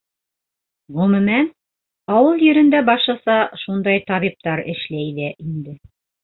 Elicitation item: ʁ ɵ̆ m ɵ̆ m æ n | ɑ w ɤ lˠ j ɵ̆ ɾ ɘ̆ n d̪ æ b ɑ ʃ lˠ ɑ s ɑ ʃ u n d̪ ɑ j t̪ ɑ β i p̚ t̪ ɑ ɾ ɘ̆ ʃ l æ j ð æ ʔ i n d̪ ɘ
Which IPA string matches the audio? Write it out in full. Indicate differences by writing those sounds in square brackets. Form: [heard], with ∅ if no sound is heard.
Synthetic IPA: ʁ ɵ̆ m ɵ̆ m æ n | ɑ w ɤ lˠ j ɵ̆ ɾ ɘ̆ n d̪ æ b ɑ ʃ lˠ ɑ s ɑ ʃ u n d̪ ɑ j t̪ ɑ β i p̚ t̪ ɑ ɾ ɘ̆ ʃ l æ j ð æ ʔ i n d̪ ɘ